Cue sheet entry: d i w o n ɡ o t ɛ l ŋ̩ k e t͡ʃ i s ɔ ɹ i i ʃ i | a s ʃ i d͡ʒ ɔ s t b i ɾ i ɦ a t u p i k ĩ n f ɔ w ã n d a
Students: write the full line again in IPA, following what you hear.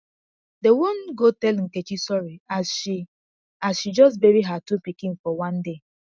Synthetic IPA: d e w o n ɡ o t ɛ l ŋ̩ k e t͡ʃ i s ɔ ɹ i a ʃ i | a s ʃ i d͡ʒ ɔ s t b e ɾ i ɦ a t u p i k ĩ n f ɔ w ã n d e